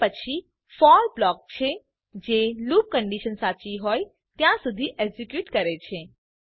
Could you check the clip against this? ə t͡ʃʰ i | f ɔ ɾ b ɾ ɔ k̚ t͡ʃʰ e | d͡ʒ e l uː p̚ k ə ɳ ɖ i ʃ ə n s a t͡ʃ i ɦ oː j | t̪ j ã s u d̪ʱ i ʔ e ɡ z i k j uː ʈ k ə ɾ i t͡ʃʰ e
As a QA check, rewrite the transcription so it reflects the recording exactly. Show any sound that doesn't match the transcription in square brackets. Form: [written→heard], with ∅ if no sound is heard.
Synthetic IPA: ə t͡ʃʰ i | f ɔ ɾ b [ɾ→l] ɔ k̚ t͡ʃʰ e | d͡ʒ e l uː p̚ k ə ɳ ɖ i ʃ ə n s a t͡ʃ i ɦ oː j | t̪ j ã s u d̪ʱ i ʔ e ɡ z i k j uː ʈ k ə ɾ [i→e] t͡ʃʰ e